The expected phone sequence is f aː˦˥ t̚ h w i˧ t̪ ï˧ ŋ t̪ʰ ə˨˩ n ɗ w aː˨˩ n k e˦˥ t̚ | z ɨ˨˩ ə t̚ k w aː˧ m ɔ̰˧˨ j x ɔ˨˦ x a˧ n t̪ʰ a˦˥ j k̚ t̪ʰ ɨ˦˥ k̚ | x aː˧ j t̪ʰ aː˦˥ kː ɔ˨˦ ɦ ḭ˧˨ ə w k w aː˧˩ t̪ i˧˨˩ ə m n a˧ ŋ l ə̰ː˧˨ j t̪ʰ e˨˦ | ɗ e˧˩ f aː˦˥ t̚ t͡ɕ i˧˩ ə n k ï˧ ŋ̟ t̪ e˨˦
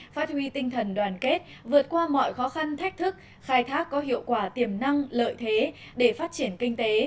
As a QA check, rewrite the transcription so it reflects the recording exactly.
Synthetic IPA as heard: f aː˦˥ t̚ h w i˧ t̪ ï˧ ŋ t̪ʰ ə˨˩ n ɗ w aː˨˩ n k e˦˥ t̚ | v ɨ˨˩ ə t̚ k w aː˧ m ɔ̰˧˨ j x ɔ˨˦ x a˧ n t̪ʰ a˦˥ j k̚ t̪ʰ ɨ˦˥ k̚ | x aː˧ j t̪ʰ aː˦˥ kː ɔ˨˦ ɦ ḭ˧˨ ə w k w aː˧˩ t̪ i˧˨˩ ə m n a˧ ŋ l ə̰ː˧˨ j t̪ʰ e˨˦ | ɗ e˧˩ f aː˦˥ t̚ t͡ɕ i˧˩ ə n k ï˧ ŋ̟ t̪ e˨˦